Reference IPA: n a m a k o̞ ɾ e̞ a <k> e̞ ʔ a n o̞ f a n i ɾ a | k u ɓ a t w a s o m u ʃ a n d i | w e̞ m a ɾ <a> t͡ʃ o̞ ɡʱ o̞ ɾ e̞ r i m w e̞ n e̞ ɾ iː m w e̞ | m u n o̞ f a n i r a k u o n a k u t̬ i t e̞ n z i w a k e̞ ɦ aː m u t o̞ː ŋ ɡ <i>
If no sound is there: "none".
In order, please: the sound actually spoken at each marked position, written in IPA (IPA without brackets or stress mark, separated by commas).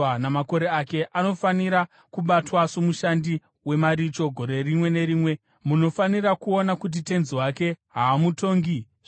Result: k, i, i